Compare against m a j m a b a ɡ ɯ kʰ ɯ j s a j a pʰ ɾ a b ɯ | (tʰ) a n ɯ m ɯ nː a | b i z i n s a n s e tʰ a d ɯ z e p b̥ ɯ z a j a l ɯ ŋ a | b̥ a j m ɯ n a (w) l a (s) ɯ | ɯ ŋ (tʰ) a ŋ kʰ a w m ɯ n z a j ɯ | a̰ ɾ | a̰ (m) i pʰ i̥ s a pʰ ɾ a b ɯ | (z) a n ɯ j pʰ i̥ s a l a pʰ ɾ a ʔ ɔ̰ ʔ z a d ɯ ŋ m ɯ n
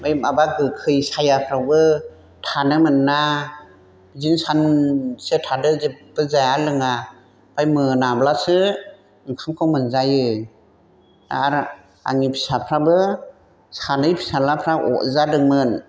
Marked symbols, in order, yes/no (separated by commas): yes, no, yes, no, no, no